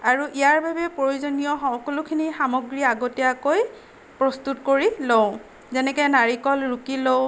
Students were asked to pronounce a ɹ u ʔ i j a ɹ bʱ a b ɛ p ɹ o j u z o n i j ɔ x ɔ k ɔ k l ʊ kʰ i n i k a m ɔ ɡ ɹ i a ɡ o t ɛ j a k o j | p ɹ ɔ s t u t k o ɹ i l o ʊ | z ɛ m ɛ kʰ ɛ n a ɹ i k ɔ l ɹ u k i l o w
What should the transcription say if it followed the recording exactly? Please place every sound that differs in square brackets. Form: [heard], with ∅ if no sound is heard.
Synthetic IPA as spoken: a ɹ u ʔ i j a ɹ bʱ a b ɛ p ɹ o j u z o n i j ɔ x ɔ k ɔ [∅] l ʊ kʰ i n i [x] a m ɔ ɡ ɹ i a ɡ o t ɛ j a k o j | p ɹ ɔ s t u t k o ɹ i l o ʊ | z ɛ [n] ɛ [k] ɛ n a ɹ i k ɔ l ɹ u k i l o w